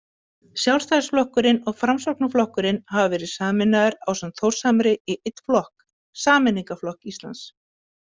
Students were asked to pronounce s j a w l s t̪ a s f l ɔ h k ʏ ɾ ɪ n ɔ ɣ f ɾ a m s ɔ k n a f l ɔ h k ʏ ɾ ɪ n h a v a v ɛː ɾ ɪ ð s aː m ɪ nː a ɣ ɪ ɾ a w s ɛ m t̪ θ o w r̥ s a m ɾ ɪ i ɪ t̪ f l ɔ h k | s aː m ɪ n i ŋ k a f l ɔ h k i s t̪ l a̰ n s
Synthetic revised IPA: s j a w l s t̪ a s f l ɔ h k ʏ ɾ ɪ n ɔ ɣ f ɾ a m s ɔ k n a f l ɔ h k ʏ ɾ ɪ n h a v a v ɛː ɾ ɪ ð s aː m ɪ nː a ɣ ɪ ɾ a w s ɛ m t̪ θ o w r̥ s a m ɾ ɪ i ɪ t̪ f l ɔ h k | s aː m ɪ n i ŋ k a f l ɔ h k i s t̪ l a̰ n s